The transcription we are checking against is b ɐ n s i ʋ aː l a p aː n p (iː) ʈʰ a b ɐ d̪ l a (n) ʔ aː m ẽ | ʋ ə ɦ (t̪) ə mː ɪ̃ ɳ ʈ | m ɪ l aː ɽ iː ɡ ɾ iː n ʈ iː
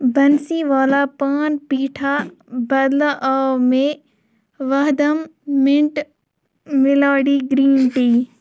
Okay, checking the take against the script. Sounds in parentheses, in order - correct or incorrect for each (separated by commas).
correct, incorrect, incorrect